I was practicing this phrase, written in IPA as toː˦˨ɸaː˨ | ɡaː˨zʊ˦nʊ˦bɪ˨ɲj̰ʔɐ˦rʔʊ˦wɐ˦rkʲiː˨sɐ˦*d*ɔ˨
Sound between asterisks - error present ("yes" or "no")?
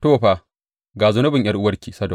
no